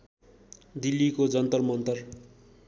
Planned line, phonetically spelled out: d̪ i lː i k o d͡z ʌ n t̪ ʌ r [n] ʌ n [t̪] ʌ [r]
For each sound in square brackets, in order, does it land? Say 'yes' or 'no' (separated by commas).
no, yes, yes